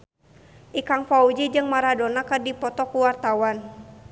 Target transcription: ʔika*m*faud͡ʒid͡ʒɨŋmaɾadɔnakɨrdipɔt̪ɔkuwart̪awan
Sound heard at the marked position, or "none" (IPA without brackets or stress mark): ŋ